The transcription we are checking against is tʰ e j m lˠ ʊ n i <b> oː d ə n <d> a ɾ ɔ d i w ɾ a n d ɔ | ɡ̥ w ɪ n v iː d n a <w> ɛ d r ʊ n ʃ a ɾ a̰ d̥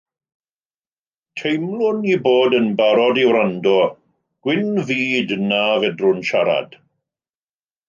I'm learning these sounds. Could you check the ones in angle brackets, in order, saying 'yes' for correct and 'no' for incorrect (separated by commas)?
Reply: yes, no, no